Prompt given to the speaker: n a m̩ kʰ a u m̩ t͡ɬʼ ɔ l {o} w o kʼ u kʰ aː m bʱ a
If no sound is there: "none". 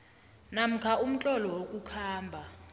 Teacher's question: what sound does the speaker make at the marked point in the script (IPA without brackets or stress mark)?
ɔ